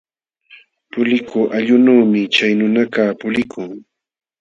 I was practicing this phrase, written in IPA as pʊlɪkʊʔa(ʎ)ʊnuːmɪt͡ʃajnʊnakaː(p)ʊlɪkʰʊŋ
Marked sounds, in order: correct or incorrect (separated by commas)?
correct, correct